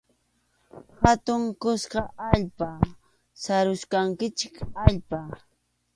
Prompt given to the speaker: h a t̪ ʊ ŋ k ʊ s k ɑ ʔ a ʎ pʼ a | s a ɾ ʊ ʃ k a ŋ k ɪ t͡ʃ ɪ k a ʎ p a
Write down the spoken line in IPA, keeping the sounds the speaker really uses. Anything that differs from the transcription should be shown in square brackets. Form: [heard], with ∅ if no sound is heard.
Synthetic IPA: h a t̪ ʊ ŋ k ʊ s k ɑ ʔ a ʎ [p] a | s a ɾ ʊ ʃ k a ŋ k ɪ t͡ʃ ɪ k a ʎ p a